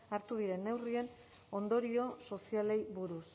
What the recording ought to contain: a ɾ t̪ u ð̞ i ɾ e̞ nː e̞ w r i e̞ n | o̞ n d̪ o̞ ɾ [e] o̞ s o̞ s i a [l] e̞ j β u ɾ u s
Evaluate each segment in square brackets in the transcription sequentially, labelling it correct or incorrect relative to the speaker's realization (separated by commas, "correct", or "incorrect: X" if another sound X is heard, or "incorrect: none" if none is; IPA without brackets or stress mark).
incorrect: i, correct